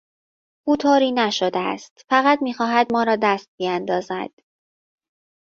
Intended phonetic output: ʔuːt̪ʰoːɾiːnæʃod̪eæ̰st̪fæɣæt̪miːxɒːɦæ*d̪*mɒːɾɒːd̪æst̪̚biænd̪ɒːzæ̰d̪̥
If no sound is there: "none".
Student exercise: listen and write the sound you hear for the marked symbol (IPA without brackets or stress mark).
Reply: d̪